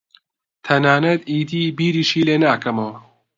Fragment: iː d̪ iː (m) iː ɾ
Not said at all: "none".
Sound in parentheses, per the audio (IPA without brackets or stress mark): b